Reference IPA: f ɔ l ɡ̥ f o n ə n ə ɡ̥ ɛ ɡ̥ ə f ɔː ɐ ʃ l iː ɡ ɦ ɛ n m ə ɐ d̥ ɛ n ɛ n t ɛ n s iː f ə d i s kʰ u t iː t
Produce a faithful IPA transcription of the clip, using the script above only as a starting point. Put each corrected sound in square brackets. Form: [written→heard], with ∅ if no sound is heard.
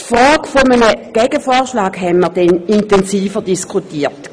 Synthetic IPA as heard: f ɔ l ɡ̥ f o [n→m] ə n ə ɡ̥ ɛ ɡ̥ ə f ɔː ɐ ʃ l [iː→aː] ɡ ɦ ɛ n m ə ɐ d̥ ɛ n [ɛ→i] n t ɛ n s iː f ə d i s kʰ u t iː t